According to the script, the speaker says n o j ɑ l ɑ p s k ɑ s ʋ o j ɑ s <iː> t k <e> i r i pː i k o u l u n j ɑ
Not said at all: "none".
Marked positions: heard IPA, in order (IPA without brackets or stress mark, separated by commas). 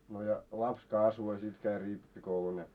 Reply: i, æ